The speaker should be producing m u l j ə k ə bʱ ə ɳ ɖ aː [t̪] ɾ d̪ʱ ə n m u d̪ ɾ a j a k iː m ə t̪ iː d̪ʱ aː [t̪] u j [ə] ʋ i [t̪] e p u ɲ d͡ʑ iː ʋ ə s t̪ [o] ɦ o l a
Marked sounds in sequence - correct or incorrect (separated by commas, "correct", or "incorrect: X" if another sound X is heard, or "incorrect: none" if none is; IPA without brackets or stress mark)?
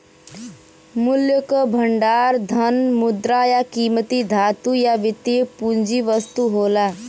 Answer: incorrect: none, correct, incorrect: a, correct, incorrect: u